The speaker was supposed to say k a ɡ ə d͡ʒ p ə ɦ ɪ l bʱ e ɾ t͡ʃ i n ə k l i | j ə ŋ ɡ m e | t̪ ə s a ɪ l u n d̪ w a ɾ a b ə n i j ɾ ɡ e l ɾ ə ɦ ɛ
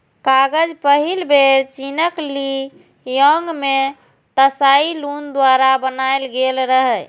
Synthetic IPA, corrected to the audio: k a ɡ ə d͡ʒ p ə ɦ i l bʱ e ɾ t͡ʃ i n ə k l i | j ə ŋ ɡ m e | t̪ ə s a i l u n d̪ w a ɾ a b ə n a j l ɡ e l ɾ ə ɦ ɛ